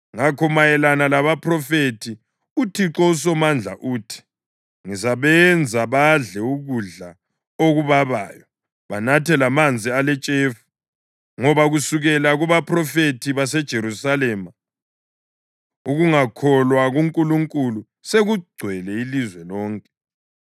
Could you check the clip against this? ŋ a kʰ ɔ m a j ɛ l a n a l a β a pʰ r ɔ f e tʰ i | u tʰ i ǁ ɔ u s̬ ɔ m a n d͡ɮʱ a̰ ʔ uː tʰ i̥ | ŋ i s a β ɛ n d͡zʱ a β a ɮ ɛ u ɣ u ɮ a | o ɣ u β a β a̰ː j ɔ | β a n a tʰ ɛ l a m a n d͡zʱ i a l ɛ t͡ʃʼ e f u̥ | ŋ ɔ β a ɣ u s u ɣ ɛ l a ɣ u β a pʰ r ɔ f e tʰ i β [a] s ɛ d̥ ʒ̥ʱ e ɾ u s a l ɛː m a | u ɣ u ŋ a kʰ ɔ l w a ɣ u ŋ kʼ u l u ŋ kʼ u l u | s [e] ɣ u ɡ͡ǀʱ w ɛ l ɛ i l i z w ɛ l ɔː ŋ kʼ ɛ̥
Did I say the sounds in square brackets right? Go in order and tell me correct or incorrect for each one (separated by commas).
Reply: correct, correct